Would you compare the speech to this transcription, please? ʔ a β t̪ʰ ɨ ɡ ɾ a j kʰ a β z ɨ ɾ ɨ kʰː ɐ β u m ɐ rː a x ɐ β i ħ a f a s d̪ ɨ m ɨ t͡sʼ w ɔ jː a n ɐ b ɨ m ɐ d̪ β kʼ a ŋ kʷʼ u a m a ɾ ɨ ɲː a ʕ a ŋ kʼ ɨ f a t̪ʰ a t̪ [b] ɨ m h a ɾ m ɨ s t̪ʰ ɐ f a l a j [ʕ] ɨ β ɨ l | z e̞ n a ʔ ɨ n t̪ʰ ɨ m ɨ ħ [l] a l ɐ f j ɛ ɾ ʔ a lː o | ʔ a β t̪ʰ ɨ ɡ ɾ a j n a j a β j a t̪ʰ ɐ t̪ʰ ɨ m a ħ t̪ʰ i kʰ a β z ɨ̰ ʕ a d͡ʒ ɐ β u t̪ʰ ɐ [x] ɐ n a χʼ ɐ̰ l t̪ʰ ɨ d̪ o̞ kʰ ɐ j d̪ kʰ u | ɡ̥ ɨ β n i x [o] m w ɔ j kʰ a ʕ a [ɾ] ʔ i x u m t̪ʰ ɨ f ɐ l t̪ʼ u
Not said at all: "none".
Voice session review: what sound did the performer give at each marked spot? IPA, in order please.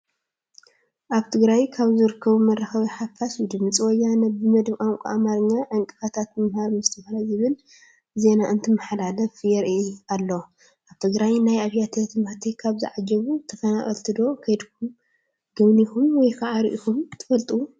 m, z, l, f, u, ɾ

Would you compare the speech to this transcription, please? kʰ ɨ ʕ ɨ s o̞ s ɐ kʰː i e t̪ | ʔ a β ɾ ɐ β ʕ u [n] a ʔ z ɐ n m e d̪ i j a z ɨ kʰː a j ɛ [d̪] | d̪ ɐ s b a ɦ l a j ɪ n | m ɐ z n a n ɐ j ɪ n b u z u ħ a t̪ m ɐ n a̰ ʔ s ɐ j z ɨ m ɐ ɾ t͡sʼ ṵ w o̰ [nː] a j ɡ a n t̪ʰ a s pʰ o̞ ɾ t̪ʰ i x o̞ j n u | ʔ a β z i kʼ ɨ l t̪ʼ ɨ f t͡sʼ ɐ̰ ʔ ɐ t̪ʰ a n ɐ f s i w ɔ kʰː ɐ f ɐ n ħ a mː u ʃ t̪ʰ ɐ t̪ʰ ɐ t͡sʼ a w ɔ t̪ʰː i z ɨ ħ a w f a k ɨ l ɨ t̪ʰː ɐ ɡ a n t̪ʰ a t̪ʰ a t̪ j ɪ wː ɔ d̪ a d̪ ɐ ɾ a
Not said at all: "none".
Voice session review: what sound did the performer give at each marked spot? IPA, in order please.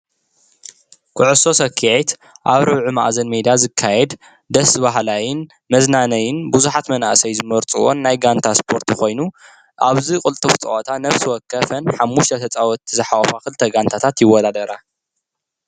m, d̪, nː

